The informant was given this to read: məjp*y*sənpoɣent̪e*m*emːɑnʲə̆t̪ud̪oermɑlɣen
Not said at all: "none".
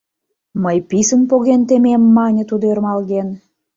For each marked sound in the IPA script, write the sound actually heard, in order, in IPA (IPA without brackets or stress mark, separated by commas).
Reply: i, m